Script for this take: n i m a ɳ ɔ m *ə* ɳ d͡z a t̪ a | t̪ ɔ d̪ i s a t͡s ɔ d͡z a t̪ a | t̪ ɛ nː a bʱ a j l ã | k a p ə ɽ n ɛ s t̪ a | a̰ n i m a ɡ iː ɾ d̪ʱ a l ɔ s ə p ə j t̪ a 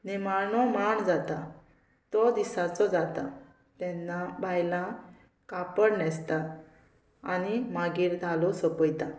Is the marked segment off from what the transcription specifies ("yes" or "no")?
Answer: yes